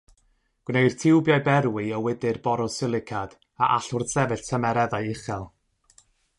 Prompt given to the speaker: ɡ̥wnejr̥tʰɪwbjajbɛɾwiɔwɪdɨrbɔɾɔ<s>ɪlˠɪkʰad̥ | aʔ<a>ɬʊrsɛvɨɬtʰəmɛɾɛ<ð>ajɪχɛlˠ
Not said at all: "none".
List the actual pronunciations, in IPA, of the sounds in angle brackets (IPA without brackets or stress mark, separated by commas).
s, a, ð